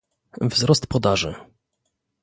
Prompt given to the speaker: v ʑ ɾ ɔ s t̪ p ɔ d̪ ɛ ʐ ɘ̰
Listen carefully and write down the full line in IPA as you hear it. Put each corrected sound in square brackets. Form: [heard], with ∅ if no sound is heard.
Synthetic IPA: v [z] ɾ ɔ s t̪ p ɔ d̪ [a] ʐ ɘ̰

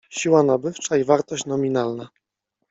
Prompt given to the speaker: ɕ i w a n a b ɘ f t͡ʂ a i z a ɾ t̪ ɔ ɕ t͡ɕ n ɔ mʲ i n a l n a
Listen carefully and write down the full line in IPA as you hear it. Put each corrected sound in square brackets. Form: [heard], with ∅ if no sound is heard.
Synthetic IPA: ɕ i w a n a b ɘ f t͡ʂ a i [v] a ɾ t̪ ɔ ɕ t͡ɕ n ɔ mʲ i n a l n a

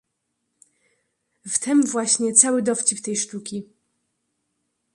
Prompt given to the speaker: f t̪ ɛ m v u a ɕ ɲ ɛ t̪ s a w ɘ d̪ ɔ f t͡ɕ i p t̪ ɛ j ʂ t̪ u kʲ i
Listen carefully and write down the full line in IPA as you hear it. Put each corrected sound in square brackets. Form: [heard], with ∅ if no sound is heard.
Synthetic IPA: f t̪ ɛ m v [w] a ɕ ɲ ɛ t̪ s a w ɘ d̪ ɔ f t͡ɕ i p t̪ ɛ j ʂ t̪ u kʲ i

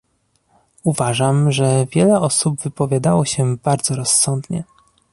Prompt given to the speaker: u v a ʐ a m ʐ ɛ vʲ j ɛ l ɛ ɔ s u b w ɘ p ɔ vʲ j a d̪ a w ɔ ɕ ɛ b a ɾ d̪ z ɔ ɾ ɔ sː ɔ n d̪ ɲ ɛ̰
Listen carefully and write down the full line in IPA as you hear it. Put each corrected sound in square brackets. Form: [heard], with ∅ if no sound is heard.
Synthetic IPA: u v a ʐ a m ʐ ɛ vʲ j ɛ l ɛ ɔ s u b [v] ɘ p ɔ vʲ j a d̪ a w ɔ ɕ ɛ b a ɾ d̪ z ɔ ɾ ɔ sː ɔ n d̪ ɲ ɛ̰

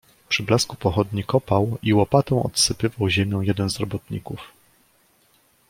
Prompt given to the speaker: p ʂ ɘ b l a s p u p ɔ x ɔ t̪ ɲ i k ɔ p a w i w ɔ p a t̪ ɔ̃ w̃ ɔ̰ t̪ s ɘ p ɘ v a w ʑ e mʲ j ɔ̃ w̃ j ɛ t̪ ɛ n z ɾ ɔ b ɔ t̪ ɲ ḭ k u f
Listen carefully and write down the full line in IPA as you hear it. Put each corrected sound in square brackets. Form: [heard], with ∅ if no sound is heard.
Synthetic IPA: p ʂ ɘ b l a s [k] u p ɔ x ɔ [d̪] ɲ i k ɔ p a w i w ɔ p a t̪ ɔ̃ w̃ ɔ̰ t̪ s ɘ p ɘ v a w ʑ e mʲ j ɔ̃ w̃ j ɛ [d̪] ɛ n z ɾ ɔ b ɔ t̪ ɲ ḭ k u f

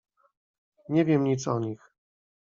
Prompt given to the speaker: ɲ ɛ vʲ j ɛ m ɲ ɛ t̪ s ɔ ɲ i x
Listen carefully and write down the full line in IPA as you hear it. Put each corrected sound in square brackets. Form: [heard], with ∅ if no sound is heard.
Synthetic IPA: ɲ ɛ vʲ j ɛ m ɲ [i] t̪ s ɔ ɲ i x

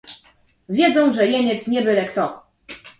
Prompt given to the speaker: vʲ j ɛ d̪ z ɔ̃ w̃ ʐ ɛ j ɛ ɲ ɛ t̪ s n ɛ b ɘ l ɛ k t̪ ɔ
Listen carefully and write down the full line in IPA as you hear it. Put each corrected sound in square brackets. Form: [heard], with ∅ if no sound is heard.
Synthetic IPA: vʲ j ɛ d̪ z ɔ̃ w̃ ʐ ɛ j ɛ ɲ ɛ t̪ s [ɲ] ɛ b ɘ l ɛ k t̪ ɔ

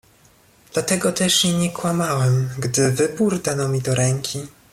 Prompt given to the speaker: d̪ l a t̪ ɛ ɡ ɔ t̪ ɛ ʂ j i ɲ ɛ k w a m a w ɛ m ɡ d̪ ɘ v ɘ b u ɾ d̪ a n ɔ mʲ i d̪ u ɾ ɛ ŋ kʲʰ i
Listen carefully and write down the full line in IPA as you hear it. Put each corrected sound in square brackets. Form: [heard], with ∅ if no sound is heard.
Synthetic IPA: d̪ l a t̪ ɛ ɡ ɔ t̪ ɛ ʂ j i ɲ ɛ k w a m a w ɛ m ɡ d̪ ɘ v ɘ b u ɾ d̪ a n ɔ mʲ i d̪ [ɔ] ɾ ɛ ŋ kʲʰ i

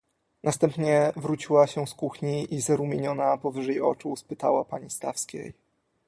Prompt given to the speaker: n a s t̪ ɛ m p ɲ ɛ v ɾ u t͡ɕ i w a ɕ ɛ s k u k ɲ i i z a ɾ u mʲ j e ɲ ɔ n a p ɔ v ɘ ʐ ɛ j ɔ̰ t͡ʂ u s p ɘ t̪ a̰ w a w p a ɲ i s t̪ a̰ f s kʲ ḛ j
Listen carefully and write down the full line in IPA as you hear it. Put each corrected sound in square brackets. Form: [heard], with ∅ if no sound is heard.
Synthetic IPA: n a s t̪ ɛ m p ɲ ɛ v ɾ u t͡ɕ i w a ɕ ɛ s k u [x] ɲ i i z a ɾ u mʲ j e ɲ ɔ n a p ɔ v ɘ ʐ ɛ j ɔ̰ t͡ʂ u s p ɘ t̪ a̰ w a [∅] p a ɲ i s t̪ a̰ f s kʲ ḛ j

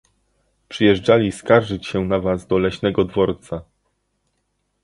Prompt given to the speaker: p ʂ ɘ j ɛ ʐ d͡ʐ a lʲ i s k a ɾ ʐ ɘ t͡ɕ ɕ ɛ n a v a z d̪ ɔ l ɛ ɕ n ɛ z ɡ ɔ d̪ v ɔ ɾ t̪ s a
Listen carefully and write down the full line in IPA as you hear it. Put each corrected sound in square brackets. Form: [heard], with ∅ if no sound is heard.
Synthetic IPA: p ʂ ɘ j ɛ ʐ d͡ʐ a lʲ i s k a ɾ ʐ ɘ t͡ɕ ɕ ɛ n a v a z d̪ ɔ l ɛ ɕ n ɛ [∅] ɡ ɔ d̪ v ɔ ɾ t̪ s a

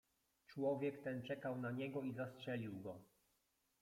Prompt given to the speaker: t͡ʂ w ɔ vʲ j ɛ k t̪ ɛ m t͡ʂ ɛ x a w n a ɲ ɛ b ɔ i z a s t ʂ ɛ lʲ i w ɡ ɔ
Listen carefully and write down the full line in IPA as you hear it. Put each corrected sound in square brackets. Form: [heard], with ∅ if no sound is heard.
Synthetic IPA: t͡ʂ w ɔ vʲ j ɛ k t̪ ɛ [n] t͡ʂ ɛ [k] a w n a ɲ ɛ [ɡ] ɔ i z a s t ʂ ɛ lʲ i w ɡ ɔ

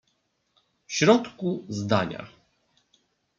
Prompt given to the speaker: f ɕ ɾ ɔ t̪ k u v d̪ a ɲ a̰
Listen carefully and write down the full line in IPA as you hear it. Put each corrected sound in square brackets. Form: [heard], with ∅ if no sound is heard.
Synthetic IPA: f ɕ ɾ ɔ t̪ k u [z] d̪ a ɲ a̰

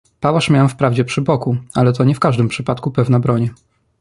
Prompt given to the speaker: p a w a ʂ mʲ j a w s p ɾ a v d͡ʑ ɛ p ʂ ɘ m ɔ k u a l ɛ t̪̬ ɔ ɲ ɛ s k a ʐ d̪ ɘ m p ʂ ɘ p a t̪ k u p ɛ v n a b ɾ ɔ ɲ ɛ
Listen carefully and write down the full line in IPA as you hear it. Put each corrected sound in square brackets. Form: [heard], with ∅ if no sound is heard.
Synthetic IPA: p a w a ʂ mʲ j a w [f] p ɾ a v d͡ʑ ɛ p ʂ ɘ [b] ɔ k u a l ɛ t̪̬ ɔ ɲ ɛ [f] k a ʐ d̪ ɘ m p ʂ ɘ p a t̪ k u p ɛ v n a b ɾ ɔ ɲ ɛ

